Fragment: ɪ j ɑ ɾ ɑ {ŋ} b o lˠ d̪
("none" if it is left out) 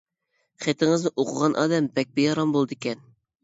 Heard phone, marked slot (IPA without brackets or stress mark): m